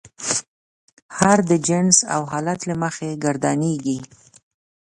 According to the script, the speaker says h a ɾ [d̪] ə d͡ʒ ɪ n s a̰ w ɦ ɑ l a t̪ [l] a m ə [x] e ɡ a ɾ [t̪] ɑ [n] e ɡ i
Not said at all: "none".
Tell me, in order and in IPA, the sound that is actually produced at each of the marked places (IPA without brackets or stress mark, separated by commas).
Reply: d̪, l, x, d̪, n